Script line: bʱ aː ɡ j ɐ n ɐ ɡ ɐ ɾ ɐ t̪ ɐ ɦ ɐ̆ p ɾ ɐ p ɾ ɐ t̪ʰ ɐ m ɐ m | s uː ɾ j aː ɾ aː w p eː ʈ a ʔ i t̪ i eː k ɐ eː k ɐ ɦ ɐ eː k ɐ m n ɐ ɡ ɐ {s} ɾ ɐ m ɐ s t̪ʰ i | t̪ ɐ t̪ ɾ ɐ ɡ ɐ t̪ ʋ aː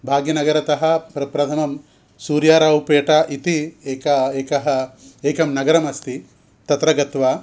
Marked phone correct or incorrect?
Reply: incorrect